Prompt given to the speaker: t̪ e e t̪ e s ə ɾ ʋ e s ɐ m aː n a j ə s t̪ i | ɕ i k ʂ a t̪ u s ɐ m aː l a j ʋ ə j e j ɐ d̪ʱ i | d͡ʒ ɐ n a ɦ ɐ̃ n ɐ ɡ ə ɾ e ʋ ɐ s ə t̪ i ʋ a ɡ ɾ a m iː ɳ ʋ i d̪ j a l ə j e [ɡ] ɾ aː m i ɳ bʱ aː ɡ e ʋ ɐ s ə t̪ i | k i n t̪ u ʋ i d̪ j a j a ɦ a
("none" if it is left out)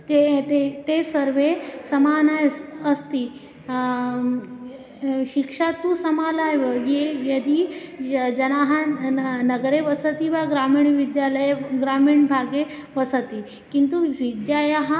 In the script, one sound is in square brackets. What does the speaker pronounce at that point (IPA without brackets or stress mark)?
ɡ